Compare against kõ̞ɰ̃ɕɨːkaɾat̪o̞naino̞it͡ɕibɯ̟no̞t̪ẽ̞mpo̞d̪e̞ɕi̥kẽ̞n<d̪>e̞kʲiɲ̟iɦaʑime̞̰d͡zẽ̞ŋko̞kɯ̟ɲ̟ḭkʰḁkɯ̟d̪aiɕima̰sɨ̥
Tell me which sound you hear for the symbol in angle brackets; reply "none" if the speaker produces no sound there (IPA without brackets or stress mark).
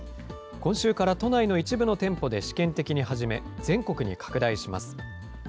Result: t̪